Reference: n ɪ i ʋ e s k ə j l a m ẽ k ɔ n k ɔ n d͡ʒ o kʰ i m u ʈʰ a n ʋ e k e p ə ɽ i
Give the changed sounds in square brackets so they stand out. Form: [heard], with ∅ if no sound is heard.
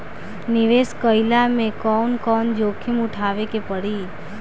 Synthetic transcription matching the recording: n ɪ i ʋ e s k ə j l a m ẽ k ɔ n k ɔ n d͡ʒ o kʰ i m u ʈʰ a [∅] ʋ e k e p ə ɽ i